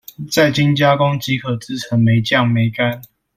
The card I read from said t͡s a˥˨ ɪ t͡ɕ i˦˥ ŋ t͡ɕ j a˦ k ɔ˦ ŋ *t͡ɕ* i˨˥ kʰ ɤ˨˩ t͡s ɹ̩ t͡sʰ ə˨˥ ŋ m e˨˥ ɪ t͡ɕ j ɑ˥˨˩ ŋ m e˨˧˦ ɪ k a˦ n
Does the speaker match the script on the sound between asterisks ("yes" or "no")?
yes